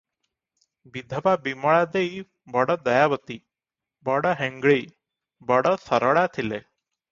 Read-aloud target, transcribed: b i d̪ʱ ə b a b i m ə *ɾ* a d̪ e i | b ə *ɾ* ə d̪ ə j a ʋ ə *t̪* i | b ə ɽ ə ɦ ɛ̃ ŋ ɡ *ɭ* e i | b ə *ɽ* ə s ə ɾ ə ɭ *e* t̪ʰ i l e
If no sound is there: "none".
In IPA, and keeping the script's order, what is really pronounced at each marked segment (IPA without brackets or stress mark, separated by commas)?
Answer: ɭ, ɽ, t̪, ɭ, ɽ, a